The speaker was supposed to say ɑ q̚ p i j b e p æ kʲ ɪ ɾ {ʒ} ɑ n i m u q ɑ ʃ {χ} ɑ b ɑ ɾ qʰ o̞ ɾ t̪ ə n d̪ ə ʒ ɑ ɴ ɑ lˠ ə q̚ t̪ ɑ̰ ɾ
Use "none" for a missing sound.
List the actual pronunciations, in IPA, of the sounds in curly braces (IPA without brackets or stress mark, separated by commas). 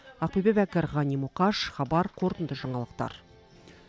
ʁ, χ